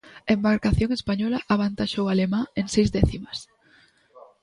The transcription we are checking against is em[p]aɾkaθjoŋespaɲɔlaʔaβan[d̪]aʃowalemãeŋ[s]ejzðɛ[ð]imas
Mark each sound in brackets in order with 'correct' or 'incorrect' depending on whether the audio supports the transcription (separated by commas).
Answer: incorrect, incorrect, correct, incorrect